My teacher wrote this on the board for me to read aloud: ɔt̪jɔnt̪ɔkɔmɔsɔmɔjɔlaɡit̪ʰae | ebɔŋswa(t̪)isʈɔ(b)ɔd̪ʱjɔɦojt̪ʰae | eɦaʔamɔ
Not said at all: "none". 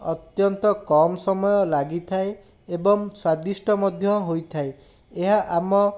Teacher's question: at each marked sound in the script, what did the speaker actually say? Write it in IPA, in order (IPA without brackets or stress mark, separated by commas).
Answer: d̪, m